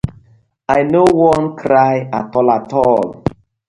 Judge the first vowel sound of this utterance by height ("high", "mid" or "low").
low